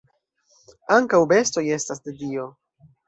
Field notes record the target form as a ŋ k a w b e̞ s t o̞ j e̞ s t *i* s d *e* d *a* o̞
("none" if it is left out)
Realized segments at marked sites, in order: a, e, i

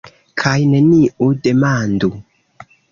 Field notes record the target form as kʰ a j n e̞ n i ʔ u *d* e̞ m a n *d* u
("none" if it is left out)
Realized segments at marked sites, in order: d, d

